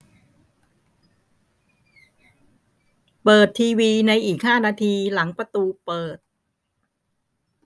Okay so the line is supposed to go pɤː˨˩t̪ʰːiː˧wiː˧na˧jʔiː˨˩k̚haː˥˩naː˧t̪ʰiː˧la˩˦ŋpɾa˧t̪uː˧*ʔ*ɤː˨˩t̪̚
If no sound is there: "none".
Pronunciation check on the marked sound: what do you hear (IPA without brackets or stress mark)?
p